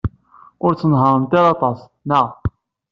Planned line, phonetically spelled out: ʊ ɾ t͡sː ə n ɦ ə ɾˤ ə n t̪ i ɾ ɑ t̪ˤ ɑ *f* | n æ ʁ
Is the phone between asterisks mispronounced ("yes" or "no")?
yes